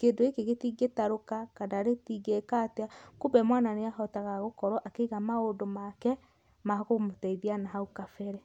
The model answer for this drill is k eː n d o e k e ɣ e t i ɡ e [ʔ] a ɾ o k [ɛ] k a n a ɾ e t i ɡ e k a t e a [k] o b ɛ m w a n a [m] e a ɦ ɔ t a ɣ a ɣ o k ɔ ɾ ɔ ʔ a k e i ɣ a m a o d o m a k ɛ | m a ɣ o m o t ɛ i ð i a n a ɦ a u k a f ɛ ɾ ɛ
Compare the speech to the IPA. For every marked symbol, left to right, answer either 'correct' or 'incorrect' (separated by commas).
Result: incorrect, incorrect, correct, incorrect